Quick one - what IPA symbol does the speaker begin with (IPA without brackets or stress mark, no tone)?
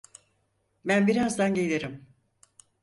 b